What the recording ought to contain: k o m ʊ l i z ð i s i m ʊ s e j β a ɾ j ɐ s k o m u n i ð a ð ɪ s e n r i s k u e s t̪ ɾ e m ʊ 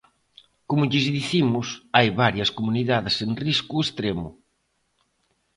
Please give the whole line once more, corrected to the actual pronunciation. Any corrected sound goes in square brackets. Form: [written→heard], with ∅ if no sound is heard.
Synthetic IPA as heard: k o m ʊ [l→ʎ] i z ð i [s→θ] i m ʊ s [e→a] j β a ɾ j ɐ s k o m u n i ð a ð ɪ s e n r i s k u e s t̪ ɾ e m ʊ